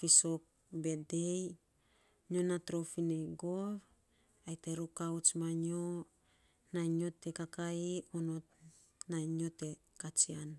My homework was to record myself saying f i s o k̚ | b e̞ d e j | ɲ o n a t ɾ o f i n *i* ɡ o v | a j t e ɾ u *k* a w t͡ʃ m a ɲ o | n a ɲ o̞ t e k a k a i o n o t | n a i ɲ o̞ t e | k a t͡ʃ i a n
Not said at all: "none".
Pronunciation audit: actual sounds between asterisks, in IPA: e, k

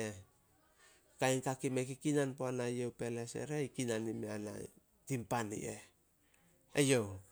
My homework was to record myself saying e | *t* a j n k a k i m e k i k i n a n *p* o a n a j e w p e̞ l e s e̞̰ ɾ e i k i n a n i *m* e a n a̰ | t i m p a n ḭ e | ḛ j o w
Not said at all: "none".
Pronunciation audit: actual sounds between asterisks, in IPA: k, p, m

